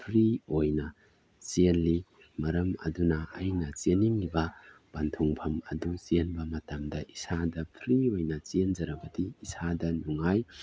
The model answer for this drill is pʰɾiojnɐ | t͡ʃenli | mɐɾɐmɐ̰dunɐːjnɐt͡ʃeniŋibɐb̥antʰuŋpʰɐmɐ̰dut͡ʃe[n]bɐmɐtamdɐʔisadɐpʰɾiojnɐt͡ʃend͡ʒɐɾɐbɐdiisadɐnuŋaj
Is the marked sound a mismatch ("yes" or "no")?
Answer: no